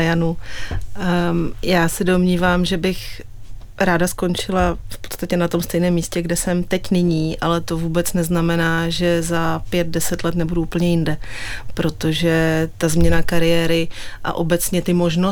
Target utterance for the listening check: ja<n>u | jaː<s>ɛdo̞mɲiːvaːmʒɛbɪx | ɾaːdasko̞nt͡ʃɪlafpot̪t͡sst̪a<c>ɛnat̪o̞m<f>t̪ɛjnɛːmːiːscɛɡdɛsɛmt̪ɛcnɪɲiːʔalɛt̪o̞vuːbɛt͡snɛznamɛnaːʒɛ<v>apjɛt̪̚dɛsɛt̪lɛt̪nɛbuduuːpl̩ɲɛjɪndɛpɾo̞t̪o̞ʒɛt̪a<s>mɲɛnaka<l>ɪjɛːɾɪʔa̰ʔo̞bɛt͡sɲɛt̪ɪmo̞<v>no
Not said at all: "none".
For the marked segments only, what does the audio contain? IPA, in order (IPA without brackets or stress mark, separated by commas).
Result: n, s, c, s, z, z, ɾ, ʒ